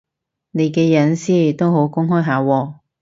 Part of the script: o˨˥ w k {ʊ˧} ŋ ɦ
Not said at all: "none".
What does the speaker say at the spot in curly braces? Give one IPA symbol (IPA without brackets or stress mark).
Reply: ʊ˥